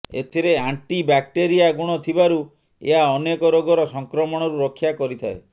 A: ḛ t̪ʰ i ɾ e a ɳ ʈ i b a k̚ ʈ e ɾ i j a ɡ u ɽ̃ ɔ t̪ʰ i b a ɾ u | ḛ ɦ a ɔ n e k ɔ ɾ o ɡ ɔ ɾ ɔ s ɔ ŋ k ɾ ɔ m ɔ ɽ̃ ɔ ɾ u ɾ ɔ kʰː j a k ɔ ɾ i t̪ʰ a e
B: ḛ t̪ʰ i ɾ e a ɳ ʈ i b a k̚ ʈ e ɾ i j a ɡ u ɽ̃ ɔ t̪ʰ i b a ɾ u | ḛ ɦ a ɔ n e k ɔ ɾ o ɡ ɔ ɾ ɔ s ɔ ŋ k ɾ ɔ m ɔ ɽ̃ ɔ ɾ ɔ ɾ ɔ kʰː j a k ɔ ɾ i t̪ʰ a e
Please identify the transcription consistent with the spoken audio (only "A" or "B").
A